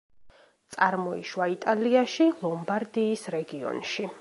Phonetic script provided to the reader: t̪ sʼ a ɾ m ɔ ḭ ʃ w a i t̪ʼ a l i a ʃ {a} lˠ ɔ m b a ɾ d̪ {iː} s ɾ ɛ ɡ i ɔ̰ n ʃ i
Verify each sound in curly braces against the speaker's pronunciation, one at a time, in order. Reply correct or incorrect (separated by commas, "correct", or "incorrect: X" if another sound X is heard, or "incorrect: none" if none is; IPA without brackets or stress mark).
incorrect: i, correct